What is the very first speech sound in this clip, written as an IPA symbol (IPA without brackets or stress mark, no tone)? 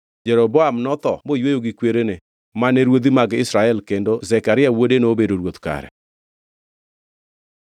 d͡ʒ